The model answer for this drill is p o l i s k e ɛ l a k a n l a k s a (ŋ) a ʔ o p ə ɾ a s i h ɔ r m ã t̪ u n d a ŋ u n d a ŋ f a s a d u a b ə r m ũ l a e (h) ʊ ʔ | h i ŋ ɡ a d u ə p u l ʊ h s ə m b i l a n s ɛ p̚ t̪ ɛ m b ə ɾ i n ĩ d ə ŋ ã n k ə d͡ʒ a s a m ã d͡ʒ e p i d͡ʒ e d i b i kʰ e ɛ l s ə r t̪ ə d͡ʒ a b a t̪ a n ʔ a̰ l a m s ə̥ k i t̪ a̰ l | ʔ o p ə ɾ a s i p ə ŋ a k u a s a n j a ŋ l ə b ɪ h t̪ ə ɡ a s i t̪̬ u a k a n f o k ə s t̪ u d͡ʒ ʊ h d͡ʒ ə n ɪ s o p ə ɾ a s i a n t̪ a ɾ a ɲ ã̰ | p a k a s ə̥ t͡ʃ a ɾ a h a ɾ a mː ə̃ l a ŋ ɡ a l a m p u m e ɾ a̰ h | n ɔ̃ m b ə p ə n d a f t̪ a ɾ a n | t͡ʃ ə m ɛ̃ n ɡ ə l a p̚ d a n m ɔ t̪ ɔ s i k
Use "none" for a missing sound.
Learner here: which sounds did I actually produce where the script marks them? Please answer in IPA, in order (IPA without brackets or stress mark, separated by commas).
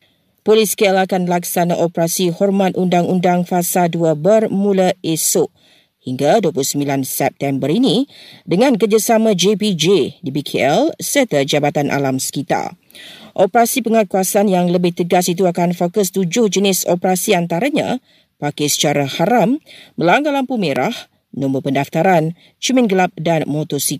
n, s